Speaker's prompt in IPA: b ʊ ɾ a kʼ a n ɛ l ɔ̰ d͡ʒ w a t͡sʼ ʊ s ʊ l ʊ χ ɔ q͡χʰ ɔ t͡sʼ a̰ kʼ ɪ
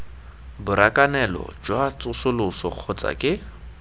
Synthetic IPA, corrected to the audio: b ʊ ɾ a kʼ a n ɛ l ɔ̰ d͡ʒ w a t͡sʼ ʊ s ʊ l ʊ s ɔ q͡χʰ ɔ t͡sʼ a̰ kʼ ɪ

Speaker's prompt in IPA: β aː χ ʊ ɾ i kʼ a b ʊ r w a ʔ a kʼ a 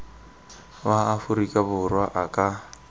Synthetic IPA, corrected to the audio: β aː f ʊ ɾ i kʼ a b ʊ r w a ʔ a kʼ a

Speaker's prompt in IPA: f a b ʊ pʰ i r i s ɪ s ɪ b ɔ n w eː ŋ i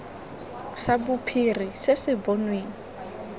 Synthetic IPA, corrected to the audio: s a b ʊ pʰ i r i s ɪ s ɪ b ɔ n w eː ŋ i

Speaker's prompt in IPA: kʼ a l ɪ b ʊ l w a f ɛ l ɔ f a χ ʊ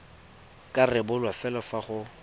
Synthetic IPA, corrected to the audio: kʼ a r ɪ b ʊ l w a f ɛ l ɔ f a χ ʊ

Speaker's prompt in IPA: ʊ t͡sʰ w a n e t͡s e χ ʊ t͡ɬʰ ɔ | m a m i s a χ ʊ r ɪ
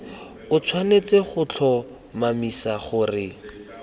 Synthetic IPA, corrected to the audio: ʊ t͡sʰ w a n e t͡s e χ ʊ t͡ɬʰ ɔ | m a m i s a χ ʊ r ɪ

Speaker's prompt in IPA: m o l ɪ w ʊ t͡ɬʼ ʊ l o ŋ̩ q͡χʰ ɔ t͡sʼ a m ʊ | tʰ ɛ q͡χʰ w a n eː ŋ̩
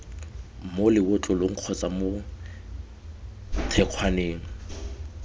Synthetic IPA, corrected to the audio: m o l ɪ w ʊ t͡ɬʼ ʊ l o ŋ̩ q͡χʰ ɔ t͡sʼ a m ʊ | tʰ ɛ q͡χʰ w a n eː ŋ̩

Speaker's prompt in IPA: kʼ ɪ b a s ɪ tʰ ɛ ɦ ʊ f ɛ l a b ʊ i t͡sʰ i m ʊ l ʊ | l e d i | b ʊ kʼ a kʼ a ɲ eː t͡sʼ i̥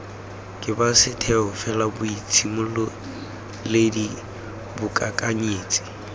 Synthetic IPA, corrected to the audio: kʼ ɪ b a s ɪ tʰ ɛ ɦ ʊ f ɛ l a b ʊ i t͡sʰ i m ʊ l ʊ | l e d i | b ʊ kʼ a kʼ a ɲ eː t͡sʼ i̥

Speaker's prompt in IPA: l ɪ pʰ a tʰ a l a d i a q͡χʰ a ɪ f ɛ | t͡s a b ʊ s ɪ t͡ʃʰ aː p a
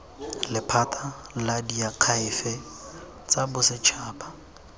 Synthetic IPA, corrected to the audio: l ɪ pʰ a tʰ a l a d i a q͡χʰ a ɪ f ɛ | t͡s a b ʊ s ɪ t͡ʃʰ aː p a

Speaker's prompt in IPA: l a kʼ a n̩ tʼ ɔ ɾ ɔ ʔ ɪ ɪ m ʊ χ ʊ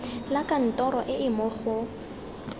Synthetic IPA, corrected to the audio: l a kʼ a n̩ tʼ ɔ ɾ ɔ ʔ ɪ ɪ m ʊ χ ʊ

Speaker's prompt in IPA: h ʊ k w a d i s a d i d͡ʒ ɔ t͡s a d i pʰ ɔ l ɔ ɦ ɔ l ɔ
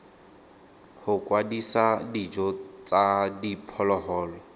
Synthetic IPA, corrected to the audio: h ʊ k w a d i s a d i d͡ʒ ɔ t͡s a d i pʰ ɔ l ɔ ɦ ɔː l ɔ

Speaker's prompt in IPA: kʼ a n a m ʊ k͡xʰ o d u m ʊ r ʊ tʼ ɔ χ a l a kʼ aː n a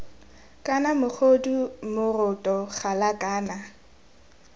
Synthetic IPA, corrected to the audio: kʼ a n a m ʊ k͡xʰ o d u m ʊ r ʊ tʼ ɔ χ a l a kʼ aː n a

